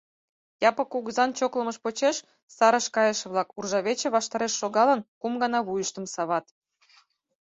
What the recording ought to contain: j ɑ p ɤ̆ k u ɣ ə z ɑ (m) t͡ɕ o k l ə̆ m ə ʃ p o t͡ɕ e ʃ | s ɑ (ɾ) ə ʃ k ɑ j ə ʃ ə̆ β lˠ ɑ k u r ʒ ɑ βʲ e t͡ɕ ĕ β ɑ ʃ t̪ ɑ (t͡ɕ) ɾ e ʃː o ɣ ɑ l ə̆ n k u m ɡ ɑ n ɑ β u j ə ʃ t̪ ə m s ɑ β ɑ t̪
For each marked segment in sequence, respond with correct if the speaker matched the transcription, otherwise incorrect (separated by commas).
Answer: incorrect, correct, incorrect